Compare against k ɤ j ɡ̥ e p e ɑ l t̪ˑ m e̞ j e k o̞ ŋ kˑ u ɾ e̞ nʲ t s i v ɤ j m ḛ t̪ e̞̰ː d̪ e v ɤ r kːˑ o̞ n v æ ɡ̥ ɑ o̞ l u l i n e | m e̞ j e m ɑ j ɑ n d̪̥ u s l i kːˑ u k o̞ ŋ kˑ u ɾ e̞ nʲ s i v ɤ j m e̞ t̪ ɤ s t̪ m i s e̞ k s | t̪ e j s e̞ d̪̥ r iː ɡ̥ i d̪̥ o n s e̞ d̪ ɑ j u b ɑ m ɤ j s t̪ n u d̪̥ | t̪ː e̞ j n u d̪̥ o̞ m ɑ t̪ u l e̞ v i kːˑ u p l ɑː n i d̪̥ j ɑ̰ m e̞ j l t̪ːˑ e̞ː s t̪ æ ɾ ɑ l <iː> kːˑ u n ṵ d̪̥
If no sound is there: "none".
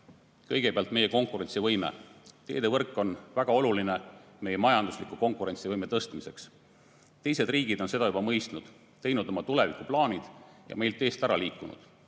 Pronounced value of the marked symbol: iː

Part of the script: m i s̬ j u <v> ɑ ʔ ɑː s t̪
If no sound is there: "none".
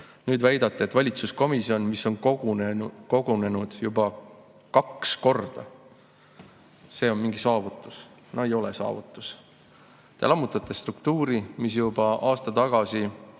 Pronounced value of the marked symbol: b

